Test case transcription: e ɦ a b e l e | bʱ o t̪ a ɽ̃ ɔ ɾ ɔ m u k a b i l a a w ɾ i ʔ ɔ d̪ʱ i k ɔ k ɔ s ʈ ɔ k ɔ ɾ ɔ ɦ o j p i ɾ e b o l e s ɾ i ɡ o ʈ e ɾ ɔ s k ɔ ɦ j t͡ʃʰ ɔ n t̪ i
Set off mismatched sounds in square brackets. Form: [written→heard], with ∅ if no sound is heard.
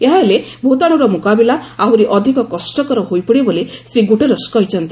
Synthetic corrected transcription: e ɦ a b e l e | bʱ o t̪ a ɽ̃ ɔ ɾ ɔ m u k a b i l a a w ɾ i ʔ ɔ d̪ʱ i k ɔ k ɔ s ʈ ɔ k ɔ ɾ ɔ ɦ o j p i [ɾ→ɽ] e b o l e s ɾ i ɡ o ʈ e ɾ ɔ s k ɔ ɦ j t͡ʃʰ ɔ n t̪ i